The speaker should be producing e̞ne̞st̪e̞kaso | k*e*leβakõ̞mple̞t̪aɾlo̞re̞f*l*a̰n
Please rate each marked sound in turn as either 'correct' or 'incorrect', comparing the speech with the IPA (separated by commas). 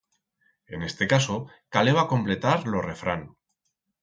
incorrect, incorrect